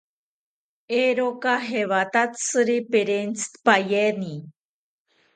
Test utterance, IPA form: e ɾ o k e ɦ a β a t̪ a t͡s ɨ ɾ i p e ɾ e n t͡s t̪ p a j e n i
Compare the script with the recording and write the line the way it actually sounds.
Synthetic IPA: e ɾ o k a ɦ e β a t̪ a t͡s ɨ ɾ i p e ɾ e n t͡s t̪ p a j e n i

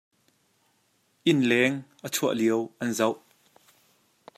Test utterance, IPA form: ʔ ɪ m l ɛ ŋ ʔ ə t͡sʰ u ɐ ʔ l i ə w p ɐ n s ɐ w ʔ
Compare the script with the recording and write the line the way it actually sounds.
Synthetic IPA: ʔ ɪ n l ɛ ŋ ʔ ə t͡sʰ u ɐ ʔ l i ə w ʔ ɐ n z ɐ w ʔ

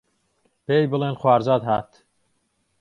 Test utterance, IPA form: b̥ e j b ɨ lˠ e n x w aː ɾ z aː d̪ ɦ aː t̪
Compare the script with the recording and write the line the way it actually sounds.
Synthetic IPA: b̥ e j b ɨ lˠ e n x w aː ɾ z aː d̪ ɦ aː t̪

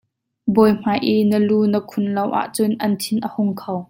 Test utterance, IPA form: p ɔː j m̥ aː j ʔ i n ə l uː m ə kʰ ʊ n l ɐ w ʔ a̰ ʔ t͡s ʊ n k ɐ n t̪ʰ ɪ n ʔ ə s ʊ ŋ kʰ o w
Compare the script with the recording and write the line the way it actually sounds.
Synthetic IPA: b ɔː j m̥ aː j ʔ i n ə l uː n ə kʰ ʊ n l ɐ w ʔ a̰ ʔ t͡s ʊ n ʔ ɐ n t̪ʰ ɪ n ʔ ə h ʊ ŋ kʰ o w

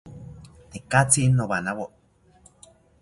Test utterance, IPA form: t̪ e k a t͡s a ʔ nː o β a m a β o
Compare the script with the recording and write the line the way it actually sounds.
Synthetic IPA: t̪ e k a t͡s i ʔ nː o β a n a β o

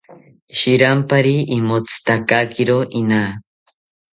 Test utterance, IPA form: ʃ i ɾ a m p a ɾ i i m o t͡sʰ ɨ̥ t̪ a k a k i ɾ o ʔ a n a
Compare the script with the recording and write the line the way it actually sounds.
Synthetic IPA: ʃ i ɾ a m p a ɾ i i m o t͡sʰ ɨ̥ t̪ a k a k i ɾ o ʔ i n a

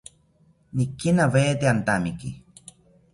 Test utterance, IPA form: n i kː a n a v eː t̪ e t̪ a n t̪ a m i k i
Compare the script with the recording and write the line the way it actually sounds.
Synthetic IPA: n i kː i n a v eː t̪ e a n t̪ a m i k i

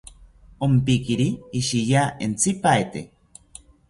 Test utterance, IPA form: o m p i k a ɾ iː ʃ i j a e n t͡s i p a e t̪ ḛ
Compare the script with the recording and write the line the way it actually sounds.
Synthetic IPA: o m p i k i ɾ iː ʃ i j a e n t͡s i p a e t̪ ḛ

